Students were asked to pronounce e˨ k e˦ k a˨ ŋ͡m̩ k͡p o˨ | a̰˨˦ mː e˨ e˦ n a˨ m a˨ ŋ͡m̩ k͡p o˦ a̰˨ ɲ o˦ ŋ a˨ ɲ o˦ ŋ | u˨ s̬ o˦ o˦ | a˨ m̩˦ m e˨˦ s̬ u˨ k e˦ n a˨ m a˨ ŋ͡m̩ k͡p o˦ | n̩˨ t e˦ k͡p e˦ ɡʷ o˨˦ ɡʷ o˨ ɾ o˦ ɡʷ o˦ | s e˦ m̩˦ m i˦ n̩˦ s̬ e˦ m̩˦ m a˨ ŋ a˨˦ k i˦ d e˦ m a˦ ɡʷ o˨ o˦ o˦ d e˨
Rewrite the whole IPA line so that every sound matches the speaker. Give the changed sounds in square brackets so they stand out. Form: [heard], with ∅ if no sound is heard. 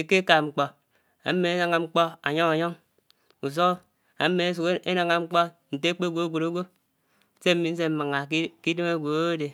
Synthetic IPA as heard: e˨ k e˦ k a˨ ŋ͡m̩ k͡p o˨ | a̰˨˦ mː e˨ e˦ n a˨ [ŋ] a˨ ŋ͡m̩ k͡p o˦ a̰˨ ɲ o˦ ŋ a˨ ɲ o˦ ŋ | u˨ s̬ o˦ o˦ | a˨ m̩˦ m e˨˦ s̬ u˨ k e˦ n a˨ [ŋ] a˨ ŋ͡m̩ k͡p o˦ | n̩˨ t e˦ k͡p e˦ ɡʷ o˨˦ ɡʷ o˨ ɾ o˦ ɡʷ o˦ | s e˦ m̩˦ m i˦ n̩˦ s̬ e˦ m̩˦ m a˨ ŋ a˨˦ k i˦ d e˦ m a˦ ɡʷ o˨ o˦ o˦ d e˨

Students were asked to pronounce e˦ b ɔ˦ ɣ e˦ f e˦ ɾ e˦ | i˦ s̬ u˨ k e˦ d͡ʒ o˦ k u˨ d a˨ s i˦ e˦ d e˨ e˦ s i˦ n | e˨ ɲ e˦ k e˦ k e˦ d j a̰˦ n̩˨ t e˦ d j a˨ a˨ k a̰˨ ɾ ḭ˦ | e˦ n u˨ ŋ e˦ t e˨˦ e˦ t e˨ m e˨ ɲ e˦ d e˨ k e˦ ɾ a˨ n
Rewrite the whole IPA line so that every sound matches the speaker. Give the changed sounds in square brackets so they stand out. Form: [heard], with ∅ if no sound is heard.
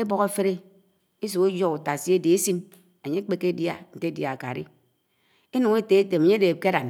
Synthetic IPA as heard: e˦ b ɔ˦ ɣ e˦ f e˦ ɾ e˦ | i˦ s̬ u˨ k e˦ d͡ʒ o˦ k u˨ [t] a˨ s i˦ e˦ d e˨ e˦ s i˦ n | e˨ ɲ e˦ [k͡p] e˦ k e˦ d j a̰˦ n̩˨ t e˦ d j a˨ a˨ k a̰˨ ɾ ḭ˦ | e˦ n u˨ ŋ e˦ t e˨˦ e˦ t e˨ m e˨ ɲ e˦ d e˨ k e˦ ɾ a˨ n

